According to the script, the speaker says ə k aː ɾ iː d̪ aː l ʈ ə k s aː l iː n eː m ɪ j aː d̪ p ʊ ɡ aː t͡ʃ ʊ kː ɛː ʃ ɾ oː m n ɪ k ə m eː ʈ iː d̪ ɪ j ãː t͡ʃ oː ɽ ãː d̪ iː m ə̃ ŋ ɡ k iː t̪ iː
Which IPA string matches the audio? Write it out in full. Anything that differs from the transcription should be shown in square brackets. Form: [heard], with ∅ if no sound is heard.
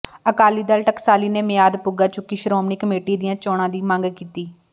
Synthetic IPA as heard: ə k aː [l] iː d̪ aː l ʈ ə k s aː l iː n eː m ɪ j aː d̪ p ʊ ɡ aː t͡ʃ ʊ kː [iː] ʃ ɾ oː m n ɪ k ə m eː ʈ iː d̪ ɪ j ãː t͡ʃ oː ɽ ãː d̪ iː m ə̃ ŋ ɡ k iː t̪ iː